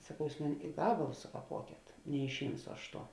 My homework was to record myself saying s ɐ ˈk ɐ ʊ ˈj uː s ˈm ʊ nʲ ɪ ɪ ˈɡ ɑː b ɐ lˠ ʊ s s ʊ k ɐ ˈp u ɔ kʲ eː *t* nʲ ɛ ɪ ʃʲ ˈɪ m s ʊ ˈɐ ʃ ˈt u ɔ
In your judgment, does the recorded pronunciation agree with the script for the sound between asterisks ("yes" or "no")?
yes